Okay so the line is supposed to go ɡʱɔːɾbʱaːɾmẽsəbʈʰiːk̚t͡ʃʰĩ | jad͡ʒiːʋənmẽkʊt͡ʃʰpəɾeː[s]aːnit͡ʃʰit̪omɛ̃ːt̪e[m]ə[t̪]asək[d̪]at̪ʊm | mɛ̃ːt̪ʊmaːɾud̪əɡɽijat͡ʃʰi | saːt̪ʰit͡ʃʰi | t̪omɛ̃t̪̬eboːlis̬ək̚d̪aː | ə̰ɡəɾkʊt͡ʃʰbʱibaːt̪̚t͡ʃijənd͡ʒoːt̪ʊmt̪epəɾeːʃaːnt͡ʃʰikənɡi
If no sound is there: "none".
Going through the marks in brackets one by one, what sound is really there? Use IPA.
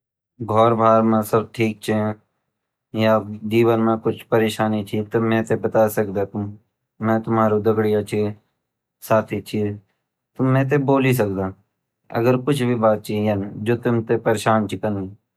ʃ, b, t̪, d̪

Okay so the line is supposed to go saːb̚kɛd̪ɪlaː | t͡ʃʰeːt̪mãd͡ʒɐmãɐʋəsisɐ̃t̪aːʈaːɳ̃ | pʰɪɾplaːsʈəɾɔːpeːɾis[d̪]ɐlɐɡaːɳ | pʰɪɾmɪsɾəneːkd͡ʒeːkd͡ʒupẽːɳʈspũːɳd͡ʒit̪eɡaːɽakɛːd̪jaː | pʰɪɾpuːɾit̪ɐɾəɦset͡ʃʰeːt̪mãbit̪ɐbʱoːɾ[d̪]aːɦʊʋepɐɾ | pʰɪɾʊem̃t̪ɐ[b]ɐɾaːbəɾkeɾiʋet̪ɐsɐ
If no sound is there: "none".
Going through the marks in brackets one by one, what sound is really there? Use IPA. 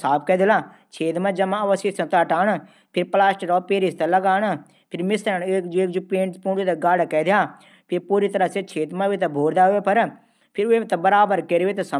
t̪, d̪, b

